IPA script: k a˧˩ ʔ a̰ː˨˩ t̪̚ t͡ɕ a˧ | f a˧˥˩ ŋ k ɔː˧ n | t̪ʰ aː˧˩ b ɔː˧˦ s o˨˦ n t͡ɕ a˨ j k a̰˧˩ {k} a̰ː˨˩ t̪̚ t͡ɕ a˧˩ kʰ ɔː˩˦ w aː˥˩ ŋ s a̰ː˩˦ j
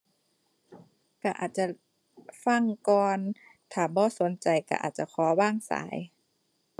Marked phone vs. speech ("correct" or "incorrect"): incorrect